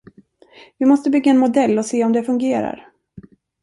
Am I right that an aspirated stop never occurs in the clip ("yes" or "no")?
yes